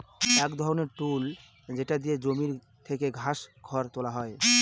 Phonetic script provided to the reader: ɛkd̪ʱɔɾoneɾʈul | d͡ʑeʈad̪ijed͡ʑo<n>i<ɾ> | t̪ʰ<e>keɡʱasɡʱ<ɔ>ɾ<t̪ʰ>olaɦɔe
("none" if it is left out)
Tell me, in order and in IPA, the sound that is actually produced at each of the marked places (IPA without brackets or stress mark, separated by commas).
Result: m, ɾ, e, ɔ, t̪